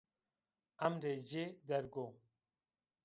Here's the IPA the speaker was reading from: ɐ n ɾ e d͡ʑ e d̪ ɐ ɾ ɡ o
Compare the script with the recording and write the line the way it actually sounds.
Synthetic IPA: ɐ m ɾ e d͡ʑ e d̪ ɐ ɾ ɡ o